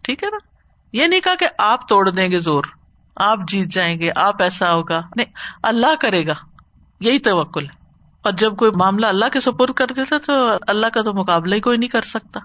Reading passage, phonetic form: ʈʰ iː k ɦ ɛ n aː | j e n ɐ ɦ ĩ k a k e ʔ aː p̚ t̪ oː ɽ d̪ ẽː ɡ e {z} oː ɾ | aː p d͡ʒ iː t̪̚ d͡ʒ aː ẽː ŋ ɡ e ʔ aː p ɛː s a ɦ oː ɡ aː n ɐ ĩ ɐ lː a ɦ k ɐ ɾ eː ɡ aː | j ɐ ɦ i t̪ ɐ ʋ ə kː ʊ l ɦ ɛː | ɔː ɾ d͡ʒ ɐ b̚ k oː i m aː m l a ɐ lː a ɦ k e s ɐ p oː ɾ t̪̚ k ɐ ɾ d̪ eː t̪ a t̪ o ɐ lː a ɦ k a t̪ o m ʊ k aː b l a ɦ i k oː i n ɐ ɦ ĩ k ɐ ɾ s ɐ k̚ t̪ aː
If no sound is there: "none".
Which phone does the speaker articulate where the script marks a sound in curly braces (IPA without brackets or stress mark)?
z